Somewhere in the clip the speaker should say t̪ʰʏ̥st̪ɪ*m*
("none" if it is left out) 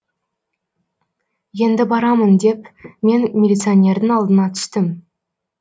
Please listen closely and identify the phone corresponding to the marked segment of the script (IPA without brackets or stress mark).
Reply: m